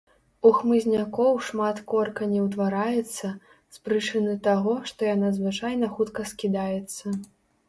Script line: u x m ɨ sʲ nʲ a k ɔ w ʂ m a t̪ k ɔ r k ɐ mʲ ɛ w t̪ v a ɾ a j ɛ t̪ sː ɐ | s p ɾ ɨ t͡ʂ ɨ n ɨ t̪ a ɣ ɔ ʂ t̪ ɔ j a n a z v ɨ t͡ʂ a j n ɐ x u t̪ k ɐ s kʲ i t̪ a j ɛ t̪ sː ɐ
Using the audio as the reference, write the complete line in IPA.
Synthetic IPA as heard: u x m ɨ zʲ nʲ a k ɔ w ʂ m a t̪ k ɔ r k ɐ nʲ ɛ w t̪ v a ɾ a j ɛ t̪ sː ɐ | s p ɾ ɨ t͡ʂ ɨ n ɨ t̪ a ɣ ɔ ʂ t̪ ɔ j a n a z v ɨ t͡ʂ a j n ɐ x u t̪ k ɐ s kʲ i d̪ a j ɛ t̪ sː ɐ